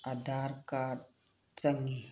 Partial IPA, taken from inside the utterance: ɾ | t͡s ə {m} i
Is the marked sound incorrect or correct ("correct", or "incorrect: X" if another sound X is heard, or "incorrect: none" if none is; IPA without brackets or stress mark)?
incorrect: ŋ